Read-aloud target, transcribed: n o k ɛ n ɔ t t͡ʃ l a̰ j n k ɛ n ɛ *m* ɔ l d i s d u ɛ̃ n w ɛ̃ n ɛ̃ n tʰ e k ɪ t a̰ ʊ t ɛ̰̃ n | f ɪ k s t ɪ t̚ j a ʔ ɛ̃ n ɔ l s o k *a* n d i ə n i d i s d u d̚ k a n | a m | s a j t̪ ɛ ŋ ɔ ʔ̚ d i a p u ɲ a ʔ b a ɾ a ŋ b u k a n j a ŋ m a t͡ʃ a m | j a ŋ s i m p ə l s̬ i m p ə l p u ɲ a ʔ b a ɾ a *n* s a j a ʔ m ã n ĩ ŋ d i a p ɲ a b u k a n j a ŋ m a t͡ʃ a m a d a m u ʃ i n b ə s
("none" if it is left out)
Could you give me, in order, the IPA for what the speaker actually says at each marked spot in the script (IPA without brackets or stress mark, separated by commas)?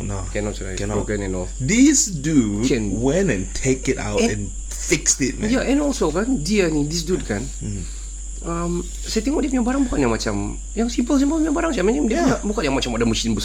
n, a, ŋ